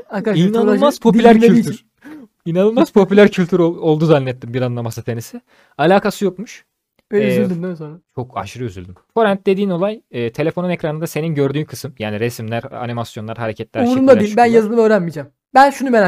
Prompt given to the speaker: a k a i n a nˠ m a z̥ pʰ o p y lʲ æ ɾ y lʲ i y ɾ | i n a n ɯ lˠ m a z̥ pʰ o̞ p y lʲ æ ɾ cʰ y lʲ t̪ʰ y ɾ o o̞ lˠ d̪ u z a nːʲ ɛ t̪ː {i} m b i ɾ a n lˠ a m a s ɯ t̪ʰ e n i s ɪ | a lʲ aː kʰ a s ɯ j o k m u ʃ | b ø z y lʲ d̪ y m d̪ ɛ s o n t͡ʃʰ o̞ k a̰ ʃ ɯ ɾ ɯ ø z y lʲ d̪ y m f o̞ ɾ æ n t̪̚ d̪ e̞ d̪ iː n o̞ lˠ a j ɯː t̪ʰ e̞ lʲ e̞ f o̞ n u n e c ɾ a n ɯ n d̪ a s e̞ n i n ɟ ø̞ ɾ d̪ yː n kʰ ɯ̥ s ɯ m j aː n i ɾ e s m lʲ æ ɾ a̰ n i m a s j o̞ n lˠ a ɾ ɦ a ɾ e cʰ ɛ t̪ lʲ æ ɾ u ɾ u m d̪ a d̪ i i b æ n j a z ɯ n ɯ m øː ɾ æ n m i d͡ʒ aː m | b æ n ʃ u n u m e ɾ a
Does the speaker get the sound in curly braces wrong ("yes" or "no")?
no